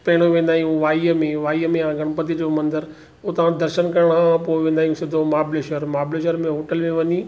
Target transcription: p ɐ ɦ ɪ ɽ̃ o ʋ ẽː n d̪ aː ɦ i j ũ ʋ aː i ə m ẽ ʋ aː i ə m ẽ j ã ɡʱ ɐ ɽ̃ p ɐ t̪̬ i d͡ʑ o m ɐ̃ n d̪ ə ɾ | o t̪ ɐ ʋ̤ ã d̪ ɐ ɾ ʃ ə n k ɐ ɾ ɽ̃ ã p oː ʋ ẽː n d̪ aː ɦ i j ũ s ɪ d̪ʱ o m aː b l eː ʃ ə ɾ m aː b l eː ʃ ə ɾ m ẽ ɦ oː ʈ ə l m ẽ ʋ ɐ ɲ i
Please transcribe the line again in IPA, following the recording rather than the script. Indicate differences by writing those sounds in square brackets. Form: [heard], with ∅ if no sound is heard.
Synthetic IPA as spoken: p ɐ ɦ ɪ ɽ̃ o ʋ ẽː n d̪ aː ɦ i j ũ ʋ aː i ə m ẽ ʋ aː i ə m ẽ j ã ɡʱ ɐ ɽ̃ p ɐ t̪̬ i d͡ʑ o m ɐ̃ n d̪ ə ɾ | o t̪ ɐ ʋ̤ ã d̪ ɐ ɾ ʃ ə n k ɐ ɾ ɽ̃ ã p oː ʋ ẽː n d̪ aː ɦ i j ũ s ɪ d̪ʱ o m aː b l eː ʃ ə ɾ m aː b l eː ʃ ə ɾ m ẽ ɦ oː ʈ ə l m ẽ ʋ ɐ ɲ i